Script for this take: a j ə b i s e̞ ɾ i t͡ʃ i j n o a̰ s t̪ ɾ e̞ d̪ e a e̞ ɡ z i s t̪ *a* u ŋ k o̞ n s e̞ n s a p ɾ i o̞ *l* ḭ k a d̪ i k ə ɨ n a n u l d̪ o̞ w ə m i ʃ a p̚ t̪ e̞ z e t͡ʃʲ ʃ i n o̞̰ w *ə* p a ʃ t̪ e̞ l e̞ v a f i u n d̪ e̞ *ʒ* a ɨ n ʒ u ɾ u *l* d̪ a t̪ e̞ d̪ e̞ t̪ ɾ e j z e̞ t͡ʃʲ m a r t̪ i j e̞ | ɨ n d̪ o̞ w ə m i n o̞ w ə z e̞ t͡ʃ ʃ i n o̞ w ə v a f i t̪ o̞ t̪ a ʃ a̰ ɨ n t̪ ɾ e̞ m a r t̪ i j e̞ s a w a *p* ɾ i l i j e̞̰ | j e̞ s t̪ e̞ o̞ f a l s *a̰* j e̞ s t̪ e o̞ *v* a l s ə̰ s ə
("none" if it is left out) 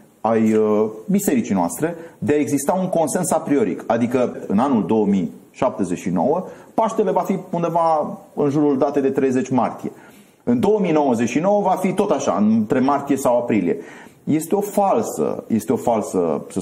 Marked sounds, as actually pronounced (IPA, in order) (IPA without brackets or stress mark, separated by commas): a, ɾ, ə, v, l, p, ə̰, f